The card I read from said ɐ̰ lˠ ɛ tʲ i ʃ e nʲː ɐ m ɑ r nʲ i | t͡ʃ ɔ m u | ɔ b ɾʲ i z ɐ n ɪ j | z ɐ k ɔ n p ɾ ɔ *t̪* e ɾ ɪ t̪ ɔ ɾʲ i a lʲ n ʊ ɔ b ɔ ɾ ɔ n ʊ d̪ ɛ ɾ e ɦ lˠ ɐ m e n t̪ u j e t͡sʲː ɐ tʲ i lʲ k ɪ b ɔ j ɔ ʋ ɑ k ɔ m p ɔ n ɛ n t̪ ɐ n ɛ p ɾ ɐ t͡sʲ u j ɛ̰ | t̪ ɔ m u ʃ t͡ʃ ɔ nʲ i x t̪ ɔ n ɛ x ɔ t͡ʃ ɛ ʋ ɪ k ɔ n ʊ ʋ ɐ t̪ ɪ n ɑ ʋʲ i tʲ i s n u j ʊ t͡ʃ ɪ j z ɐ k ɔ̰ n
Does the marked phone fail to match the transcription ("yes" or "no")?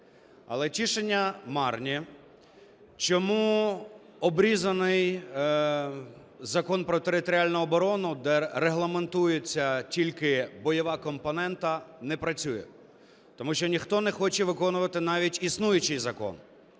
no